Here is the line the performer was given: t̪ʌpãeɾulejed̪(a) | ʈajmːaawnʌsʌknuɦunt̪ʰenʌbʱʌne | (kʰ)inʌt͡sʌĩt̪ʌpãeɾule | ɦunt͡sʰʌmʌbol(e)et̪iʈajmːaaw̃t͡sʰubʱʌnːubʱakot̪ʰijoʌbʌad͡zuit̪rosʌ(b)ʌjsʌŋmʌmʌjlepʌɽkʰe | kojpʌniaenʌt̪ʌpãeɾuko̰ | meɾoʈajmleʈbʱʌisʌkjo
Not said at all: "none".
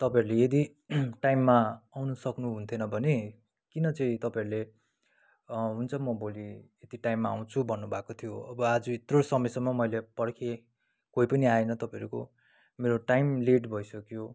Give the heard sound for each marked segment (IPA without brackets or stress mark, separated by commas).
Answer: i, k, i, m